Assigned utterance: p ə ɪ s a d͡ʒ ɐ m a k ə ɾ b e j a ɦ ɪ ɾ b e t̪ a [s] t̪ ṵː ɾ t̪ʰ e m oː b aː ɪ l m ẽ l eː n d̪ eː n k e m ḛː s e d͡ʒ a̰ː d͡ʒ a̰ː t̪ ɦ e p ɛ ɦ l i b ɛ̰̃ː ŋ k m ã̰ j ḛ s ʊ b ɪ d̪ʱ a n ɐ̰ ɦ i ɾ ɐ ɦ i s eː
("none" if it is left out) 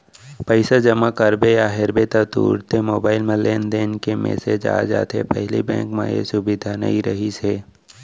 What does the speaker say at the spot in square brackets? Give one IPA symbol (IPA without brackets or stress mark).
none